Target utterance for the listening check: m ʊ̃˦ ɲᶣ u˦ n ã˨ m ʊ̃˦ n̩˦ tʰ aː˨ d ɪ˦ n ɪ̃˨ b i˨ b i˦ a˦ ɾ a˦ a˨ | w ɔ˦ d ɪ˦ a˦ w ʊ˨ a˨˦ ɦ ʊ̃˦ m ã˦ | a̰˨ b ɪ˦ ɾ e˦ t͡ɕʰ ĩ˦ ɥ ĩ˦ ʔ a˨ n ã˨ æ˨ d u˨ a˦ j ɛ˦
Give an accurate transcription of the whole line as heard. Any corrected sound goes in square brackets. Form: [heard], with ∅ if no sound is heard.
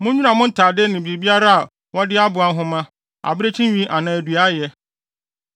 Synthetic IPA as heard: m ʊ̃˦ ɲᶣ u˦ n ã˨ m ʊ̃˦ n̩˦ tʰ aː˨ d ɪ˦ n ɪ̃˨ b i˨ b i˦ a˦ ɾ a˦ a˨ | w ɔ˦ d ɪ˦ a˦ [b] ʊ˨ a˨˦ ɦ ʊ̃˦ m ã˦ | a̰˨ b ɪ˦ ɾ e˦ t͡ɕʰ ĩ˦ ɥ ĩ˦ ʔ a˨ n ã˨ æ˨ d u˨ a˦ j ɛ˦